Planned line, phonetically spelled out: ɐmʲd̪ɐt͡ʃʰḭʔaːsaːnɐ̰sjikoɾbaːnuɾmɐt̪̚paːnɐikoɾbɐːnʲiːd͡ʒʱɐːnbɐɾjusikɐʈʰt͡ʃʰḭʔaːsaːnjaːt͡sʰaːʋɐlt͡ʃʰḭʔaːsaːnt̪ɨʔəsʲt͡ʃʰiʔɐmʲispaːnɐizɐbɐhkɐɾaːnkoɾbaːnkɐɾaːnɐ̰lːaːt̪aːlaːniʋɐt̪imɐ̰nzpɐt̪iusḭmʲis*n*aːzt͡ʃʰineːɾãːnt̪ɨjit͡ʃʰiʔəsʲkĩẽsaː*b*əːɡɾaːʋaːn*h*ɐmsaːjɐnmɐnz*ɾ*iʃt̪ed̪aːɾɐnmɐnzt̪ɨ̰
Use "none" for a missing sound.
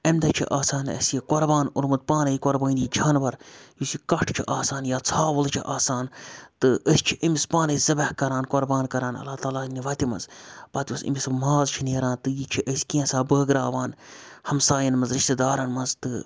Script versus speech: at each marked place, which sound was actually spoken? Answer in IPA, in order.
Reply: m, b, h, ɾ

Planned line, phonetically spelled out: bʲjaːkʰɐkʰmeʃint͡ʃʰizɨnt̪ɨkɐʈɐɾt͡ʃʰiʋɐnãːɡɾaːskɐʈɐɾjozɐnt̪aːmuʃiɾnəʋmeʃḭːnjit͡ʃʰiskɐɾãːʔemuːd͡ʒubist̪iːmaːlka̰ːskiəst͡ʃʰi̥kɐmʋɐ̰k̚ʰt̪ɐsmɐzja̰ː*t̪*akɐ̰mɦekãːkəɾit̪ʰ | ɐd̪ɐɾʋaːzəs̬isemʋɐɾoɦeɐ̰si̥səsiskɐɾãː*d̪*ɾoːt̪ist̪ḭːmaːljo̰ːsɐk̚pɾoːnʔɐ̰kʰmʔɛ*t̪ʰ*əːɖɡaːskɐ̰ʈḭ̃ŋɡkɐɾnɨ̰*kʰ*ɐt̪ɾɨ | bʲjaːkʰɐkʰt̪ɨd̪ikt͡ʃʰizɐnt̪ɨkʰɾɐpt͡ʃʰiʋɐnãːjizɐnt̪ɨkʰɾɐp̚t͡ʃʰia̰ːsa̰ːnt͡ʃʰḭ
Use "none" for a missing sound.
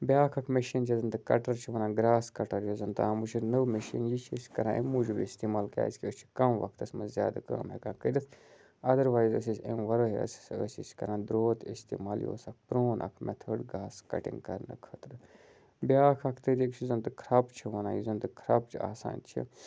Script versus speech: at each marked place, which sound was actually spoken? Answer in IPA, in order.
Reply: d̪, d̪, t̪ʰ, kʰ

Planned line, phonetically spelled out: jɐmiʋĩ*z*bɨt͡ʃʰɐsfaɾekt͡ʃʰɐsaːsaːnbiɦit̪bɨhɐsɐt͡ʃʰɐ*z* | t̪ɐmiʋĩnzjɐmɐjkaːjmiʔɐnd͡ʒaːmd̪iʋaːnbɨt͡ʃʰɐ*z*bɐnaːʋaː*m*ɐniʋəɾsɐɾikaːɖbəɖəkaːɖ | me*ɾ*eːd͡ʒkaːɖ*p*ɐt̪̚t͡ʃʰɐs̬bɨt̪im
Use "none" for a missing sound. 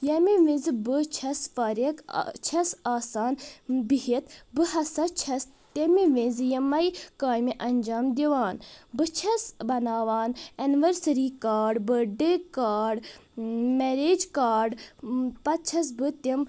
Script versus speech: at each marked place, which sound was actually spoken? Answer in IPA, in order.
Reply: z, s, s, n, ɾ, p

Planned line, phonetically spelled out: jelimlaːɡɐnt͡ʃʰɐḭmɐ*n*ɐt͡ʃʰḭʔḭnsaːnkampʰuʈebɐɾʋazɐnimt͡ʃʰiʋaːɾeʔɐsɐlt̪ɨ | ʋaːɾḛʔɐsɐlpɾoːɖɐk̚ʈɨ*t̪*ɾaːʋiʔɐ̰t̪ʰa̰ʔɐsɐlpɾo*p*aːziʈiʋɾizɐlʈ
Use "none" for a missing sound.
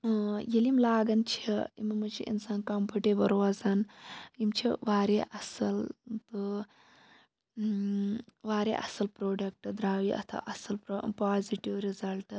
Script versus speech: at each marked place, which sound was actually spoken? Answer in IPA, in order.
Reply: m, d̪, p

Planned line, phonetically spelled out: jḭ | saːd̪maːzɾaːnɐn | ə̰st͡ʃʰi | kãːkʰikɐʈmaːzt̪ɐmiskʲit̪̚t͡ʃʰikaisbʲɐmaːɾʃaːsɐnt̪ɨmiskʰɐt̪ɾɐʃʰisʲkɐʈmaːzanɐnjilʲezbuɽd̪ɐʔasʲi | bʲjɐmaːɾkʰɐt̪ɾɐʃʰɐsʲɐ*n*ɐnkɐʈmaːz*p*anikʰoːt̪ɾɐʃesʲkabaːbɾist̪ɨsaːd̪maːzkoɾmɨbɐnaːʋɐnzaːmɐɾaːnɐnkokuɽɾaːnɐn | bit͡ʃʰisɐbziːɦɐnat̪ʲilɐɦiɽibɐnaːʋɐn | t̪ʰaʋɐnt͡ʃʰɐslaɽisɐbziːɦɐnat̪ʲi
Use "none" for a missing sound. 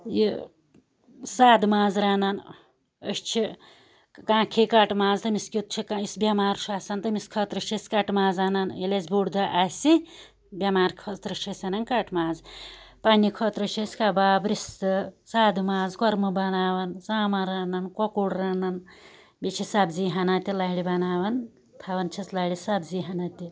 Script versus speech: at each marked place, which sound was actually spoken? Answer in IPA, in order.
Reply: n, p

